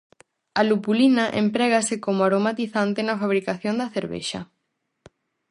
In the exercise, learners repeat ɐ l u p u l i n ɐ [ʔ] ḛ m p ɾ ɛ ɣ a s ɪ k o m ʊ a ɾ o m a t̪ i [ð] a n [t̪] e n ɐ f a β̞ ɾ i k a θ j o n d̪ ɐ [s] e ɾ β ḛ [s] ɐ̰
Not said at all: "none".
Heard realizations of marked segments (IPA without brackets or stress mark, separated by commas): ʔ, θ, t̪, θ, ʃ